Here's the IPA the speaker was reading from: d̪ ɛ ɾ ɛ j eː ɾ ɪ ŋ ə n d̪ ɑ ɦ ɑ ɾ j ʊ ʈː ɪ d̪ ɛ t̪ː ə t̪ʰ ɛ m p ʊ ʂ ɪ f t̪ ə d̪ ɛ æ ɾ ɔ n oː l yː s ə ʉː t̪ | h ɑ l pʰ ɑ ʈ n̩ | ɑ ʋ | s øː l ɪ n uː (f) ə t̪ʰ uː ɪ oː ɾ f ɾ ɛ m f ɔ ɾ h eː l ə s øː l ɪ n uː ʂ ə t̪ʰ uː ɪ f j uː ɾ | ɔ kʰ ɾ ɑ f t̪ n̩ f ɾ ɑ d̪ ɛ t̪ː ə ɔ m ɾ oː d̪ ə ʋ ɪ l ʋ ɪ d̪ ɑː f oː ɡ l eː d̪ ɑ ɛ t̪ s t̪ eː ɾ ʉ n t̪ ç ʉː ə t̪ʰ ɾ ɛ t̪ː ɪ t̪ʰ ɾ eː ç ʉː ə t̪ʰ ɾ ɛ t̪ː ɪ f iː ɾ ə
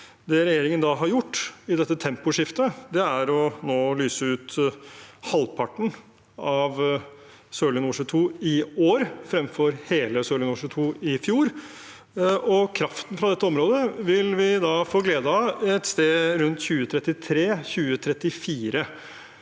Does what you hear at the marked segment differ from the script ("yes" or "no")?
yes